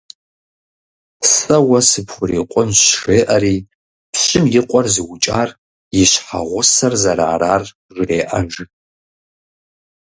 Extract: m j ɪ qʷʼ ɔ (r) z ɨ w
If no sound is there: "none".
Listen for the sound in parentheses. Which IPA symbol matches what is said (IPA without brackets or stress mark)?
r